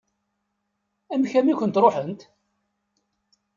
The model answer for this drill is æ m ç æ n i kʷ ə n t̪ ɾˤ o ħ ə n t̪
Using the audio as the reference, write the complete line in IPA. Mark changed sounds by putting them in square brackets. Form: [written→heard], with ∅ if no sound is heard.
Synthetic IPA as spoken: æ m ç æ [n→m] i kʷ ə n t̪ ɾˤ o ħ ə n t̪